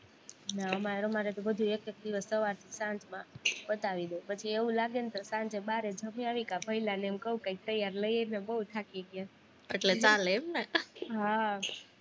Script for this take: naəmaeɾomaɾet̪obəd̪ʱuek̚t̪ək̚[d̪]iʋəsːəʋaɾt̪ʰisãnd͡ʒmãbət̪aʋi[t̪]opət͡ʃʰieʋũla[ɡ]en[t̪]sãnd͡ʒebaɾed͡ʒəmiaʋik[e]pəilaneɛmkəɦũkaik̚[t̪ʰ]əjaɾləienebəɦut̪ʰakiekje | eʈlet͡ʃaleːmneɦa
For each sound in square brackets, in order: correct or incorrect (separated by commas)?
correct, incorrect, correct, correct, incorrect, incorrect